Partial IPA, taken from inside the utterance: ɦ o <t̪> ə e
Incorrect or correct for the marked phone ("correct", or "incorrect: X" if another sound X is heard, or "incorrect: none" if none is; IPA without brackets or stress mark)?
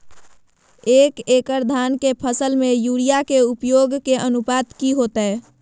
correct